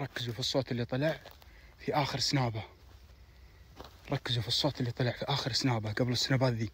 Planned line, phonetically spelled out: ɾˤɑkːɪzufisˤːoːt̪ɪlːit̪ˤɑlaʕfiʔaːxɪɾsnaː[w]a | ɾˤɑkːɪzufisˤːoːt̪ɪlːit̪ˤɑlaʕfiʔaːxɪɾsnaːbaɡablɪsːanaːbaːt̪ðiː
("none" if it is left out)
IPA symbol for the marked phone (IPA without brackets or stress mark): b